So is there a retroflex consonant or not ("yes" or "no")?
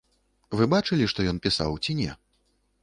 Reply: yes